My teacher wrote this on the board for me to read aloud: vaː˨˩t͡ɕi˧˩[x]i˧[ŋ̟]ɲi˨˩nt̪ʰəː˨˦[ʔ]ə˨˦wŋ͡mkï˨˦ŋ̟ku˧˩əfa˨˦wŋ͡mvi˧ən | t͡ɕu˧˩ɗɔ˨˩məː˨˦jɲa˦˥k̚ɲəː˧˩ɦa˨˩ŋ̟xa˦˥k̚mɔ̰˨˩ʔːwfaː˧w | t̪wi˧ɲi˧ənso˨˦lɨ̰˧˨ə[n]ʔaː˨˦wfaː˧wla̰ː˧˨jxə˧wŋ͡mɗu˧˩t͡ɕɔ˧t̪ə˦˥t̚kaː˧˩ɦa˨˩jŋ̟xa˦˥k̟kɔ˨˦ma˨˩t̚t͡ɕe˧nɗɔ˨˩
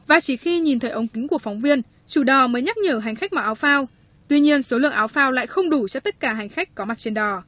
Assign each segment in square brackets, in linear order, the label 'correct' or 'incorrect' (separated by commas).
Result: correct, incorrect, correct, incorrect